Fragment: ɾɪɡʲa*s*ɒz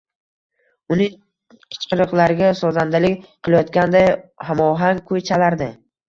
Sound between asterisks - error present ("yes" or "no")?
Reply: no